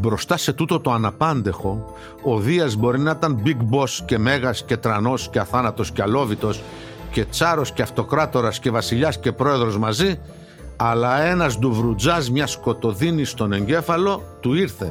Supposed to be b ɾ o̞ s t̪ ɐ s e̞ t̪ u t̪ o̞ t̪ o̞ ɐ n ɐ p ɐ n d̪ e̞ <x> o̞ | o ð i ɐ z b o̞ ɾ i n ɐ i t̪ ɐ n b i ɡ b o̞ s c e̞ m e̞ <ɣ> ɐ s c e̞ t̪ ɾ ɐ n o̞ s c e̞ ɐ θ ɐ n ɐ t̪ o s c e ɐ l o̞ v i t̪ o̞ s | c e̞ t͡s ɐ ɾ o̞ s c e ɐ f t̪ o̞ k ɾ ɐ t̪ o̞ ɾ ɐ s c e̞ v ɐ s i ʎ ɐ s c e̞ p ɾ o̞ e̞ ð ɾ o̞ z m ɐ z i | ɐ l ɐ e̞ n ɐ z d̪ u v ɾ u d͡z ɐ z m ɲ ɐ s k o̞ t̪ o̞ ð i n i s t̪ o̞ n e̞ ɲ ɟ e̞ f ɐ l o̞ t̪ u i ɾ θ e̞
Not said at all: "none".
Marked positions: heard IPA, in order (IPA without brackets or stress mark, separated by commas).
x, ɣ